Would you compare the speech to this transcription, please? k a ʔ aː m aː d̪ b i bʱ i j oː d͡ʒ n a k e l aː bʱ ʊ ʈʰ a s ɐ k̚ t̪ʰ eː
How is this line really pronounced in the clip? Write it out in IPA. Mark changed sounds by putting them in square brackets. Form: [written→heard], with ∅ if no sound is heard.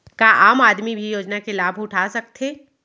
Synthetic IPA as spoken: k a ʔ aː m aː d̪ [b→m] i bʱ i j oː d͡ʒ n a k e l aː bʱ ʊ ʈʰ a s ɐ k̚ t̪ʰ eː